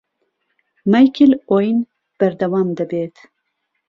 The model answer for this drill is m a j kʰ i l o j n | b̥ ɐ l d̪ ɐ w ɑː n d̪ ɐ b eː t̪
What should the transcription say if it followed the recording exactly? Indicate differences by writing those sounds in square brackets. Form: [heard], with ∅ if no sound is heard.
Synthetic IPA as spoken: m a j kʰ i l o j n | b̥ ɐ [ɾ] d̪ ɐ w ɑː [m] d̪ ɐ b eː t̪